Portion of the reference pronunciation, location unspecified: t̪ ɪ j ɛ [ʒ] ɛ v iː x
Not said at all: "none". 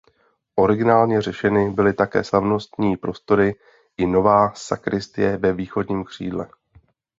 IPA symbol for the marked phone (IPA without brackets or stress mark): v